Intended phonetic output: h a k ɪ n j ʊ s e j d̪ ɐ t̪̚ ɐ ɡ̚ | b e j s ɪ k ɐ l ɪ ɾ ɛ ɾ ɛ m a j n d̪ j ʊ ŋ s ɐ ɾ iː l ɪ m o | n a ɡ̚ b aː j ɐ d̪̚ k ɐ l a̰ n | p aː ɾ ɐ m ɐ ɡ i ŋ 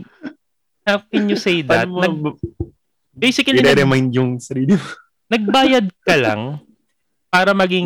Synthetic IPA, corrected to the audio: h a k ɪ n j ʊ s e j d̪ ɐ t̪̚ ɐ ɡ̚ | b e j s ɪ k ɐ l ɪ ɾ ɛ ɾ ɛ m a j n d̪ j ʊ ŋ s ɐ ɾ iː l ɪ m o | n ɐ ɡ̚ b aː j ɐ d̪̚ k ɐ l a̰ ŋ | p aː ɾ ɐ m ɐ ɡ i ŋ